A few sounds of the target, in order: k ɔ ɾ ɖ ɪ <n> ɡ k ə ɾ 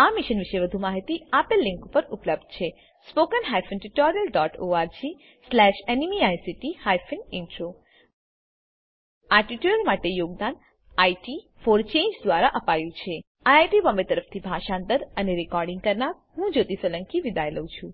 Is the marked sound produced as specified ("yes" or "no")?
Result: no